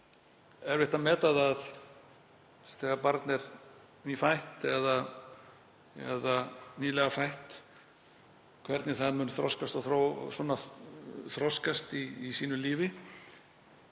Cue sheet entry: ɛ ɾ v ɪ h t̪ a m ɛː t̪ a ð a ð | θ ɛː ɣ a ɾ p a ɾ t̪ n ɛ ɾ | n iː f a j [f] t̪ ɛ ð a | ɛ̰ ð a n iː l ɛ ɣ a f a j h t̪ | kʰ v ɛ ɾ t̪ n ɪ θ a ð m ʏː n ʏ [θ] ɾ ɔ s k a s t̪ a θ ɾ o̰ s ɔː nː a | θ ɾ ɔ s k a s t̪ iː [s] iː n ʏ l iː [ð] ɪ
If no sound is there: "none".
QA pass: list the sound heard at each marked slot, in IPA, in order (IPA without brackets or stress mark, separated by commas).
h, θ, s, v